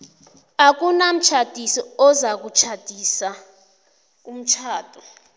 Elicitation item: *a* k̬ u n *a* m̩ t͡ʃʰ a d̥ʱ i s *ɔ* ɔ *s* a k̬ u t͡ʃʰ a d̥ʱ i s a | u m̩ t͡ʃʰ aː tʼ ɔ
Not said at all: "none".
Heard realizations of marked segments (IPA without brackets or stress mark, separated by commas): a, a, ɔ, z